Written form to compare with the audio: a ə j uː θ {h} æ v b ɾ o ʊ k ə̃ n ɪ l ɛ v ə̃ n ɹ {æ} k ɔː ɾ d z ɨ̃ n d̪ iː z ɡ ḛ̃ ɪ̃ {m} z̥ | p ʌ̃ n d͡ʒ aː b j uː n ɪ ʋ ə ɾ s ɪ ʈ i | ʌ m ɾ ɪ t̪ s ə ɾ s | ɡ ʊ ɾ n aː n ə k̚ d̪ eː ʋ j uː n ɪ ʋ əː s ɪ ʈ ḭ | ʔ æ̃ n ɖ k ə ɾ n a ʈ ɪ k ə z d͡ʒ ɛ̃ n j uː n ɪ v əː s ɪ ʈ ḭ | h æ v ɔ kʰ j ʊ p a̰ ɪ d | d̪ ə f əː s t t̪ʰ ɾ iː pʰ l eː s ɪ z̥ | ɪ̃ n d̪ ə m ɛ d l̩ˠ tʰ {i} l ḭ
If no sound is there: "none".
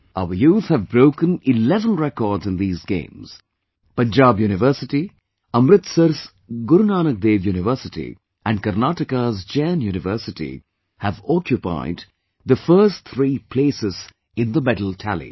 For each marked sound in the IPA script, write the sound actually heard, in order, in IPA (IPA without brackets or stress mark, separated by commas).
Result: h, ɛ, m, æ